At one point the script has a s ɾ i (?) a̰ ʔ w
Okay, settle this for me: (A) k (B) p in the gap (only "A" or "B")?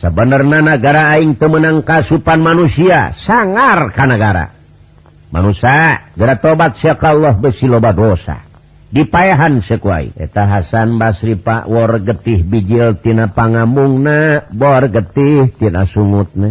B